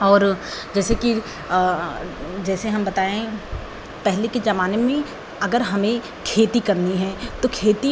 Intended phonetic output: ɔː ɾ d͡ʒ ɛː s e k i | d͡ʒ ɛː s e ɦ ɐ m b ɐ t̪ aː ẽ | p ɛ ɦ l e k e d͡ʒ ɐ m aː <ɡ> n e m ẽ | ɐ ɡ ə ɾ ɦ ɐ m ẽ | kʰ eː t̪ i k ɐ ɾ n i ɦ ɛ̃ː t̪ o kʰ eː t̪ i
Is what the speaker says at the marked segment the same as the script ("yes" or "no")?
no